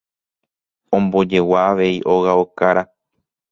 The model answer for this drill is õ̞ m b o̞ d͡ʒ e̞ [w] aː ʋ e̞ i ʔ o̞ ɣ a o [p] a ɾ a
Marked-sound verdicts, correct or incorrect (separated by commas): correct, incorrect